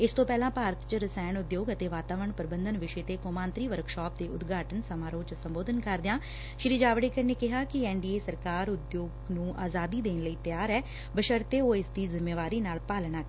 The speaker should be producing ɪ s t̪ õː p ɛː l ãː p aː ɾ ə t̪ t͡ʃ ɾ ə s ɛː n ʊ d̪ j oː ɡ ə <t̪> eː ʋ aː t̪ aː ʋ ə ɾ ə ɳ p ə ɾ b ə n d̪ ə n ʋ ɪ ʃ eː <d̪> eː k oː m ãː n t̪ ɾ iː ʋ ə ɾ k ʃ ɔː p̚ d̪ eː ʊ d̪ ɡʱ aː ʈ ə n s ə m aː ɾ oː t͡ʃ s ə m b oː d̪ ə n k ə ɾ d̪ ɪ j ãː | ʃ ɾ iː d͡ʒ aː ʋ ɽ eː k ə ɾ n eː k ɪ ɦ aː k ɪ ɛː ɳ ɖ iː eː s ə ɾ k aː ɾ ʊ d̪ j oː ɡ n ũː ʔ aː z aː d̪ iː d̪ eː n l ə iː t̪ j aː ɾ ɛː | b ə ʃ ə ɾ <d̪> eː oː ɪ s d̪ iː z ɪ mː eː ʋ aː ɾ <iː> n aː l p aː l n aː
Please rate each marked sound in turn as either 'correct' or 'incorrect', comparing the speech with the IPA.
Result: correct, incorrect, incorrect, correct

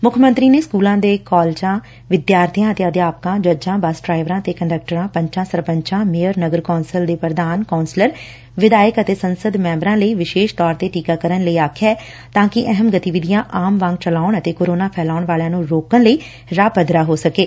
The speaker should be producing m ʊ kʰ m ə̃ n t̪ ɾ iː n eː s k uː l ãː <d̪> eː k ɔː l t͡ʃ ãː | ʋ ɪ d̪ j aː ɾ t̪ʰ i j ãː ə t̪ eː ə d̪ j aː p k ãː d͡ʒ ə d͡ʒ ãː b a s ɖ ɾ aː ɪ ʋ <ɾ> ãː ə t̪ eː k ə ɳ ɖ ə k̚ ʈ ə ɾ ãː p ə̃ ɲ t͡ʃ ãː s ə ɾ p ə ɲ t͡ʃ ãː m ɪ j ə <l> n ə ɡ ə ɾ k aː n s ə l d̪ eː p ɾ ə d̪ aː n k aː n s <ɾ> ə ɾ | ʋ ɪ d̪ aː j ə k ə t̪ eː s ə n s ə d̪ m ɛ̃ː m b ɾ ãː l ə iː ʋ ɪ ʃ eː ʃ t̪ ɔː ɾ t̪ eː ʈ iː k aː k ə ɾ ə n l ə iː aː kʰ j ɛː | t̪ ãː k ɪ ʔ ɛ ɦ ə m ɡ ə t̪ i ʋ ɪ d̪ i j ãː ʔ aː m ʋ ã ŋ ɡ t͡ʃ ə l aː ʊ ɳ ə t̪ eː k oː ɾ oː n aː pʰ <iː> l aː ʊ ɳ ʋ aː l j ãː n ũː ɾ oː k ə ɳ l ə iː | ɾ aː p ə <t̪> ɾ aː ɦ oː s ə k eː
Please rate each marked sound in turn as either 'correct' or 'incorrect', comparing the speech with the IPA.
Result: correct, correct, incorrect, incorrect, incorrect, incorrect

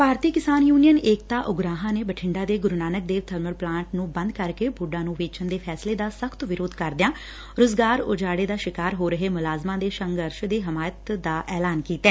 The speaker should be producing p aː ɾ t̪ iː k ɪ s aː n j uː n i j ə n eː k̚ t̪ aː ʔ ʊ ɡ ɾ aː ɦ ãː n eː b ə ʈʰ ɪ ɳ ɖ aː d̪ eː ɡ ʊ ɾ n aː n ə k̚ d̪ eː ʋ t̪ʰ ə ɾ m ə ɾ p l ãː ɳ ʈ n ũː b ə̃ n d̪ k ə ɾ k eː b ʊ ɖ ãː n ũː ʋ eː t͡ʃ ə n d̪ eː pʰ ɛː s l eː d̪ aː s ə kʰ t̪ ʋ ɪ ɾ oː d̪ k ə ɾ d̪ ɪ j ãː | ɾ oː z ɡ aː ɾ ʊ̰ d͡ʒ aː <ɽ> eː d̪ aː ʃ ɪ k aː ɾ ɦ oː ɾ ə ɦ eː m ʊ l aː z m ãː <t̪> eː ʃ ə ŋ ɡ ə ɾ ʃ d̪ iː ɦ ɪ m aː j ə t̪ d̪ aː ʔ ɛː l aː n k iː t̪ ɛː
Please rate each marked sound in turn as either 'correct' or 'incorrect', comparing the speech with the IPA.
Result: correct, incorrect

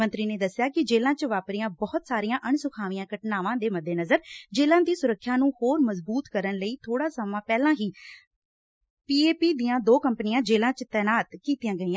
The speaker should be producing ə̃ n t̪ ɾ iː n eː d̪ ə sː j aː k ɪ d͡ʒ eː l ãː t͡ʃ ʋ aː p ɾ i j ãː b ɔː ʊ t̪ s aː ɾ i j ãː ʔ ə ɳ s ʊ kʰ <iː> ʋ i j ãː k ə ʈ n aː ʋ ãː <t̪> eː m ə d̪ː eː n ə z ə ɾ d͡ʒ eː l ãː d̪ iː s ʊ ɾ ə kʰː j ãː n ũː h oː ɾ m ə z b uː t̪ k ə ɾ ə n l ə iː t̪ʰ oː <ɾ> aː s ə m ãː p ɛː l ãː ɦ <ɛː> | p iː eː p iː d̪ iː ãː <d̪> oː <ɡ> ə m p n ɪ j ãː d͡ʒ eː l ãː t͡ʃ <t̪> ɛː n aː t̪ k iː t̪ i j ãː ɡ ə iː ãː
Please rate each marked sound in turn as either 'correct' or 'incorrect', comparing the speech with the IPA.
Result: incorrect, incorrect, incorrect, incorrect, correct, incorrect, correct

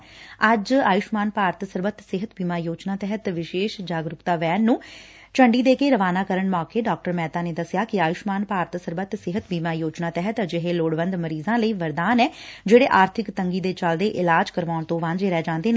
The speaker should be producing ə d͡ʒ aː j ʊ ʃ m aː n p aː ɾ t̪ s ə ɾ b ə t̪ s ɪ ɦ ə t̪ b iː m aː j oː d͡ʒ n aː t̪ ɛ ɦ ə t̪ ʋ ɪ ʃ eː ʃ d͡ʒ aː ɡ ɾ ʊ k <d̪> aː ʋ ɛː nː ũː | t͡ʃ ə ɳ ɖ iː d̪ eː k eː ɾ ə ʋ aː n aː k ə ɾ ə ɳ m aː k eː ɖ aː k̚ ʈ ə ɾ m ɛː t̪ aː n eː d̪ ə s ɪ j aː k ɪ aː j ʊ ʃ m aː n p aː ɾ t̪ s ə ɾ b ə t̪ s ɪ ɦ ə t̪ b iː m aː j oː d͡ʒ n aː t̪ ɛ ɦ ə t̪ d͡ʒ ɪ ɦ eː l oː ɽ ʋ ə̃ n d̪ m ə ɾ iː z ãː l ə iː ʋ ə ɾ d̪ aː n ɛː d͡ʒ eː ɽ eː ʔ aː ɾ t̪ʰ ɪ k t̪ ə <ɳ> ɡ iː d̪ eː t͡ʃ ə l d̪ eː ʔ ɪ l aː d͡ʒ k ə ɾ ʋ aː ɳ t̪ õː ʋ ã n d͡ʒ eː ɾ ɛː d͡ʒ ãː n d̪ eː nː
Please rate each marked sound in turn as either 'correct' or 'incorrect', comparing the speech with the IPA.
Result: incorrect, incorrect

